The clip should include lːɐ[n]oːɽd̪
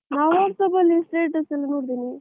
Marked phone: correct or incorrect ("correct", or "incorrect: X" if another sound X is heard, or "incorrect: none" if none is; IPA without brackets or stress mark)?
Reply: correct